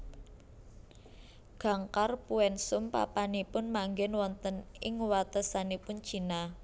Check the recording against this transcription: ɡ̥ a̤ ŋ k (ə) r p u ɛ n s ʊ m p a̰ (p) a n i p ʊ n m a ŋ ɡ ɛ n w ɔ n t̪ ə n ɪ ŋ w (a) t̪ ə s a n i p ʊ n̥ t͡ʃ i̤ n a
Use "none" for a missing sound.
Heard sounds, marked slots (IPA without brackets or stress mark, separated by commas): a, p, a